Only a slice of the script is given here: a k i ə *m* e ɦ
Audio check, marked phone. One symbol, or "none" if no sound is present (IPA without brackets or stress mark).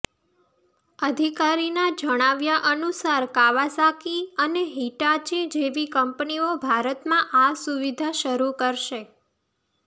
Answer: n